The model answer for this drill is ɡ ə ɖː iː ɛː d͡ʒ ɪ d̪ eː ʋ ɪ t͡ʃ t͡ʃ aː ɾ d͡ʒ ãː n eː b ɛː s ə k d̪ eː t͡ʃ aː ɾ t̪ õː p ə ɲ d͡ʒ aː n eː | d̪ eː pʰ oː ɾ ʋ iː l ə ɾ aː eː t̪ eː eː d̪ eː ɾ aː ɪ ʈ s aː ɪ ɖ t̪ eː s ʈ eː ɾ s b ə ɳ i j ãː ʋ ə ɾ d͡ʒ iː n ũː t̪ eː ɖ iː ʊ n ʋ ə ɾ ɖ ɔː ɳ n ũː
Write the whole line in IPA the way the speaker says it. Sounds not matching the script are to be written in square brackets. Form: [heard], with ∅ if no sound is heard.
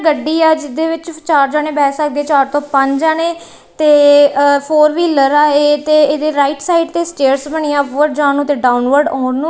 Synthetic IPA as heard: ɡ ə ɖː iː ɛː d͡ʒ ɪ d̪ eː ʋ ɪ t͡ʃ t͡ʃ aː ɾ d͡ʒ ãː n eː b ɛː s ə k d̪ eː t͡ʃ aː ɾ t̪ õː p ə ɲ d͡ʒ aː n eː | [t̪] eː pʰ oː ɾ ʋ iː l ə ɾ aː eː t̪ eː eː d̪ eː ɾ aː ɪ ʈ s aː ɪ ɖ t̪ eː s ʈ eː ɾ s b ə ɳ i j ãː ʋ ə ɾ d͡ʒ [aː] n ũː t̪ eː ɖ [aː] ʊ n ʋ ə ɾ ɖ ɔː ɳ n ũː